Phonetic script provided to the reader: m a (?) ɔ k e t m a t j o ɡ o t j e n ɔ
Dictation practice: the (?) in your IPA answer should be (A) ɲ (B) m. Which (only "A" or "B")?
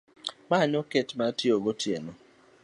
A